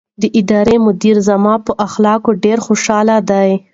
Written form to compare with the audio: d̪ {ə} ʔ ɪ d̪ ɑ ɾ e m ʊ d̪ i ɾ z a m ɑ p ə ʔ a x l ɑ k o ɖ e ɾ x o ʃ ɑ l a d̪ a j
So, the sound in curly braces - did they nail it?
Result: yes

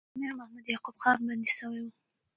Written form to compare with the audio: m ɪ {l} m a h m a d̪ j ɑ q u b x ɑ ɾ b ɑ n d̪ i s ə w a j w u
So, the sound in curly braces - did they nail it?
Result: no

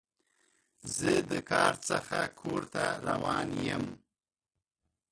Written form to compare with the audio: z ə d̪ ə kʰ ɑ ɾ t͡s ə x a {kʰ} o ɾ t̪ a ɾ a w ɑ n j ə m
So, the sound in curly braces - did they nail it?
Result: yes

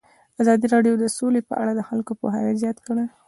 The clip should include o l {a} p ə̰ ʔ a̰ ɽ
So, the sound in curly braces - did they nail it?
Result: no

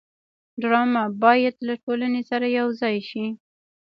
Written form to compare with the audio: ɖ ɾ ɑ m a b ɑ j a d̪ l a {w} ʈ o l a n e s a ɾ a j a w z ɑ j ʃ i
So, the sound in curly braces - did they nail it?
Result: no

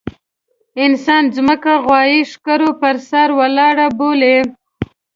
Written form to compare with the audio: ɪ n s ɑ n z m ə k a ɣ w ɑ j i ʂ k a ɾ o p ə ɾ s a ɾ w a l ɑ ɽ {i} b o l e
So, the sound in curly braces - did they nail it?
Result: no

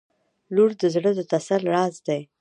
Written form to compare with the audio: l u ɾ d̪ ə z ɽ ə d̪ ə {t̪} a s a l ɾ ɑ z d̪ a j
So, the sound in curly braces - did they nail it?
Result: yes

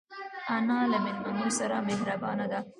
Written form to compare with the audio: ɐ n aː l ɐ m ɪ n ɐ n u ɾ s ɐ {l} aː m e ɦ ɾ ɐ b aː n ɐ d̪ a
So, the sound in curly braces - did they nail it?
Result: no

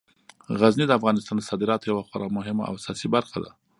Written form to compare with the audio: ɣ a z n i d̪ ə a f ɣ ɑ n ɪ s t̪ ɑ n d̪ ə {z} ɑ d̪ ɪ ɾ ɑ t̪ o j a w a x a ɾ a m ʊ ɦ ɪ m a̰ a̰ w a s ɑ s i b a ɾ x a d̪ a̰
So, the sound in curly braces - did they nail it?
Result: no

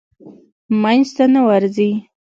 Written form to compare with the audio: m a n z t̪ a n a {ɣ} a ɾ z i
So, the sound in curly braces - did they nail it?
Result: no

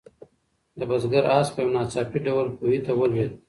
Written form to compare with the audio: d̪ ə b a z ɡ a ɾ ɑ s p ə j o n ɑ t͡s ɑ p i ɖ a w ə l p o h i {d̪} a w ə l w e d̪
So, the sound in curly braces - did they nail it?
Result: no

